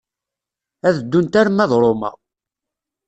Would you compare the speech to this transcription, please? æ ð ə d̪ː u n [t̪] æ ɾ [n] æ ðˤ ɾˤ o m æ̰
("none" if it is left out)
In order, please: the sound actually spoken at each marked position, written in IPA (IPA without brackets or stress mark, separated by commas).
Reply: t̪, m